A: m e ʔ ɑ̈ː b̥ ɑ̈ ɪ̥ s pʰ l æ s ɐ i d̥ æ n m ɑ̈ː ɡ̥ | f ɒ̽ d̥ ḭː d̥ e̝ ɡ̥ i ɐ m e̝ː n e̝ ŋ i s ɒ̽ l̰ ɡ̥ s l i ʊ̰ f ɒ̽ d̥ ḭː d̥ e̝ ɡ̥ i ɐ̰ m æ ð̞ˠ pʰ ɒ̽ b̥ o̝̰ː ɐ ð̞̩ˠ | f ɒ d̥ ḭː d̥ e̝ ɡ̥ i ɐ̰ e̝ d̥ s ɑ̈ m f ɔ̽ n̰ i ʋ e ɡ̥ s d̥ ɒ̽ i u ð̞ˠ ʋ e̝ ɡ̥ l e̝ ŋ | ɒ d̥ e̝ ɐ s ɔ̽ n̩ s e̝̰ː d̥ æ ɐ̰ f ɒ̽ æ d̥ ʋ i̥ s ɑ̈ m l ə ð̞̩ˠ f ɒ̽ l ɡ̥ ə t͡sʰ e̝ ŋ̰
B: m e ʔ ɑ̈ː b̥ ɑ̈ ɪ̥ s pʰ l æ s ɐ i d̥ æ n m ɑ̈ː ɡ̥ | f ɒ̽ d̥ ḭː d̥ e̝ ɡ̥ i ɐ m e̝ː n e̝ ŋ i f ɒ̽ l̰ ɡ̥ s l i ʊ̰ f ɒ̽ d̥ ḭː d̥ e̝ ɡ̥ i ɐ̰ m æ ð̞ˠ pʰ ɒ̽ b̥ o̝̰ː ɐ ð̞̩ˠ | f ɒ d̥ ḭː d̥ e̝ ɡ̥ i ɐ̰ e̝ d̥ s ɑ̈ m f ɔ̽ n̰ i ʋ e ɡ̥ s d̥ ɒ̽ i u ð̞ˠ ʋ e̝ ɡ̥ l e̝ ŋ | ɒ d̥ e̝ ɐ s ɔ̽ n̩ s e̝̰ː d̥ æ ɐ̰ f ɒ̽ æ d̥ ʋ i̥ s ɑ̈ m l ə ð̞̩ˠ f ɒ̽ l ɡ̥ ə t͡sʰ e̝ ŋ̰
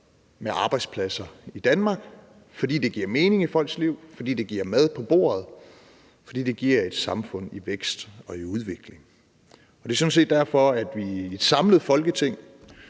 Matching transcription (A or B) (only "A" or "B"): B